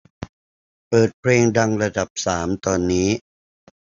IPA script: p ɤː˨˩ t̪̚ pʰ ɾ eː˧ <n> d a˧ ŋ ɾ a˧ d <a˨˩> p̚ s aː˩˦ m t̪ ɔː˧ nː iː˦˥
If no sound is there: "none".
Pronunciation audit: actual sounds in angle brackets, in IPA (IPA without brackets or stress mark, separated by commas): ŋ, a˨˩